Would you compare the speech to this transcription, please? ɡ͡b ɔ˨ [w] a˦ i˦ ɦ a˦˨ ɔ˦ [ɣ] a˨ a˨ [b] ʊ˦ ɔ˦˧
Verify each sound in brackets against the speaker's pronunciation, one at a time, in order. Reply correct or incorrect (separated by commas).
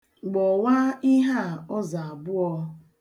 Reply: correct, incorrect, correct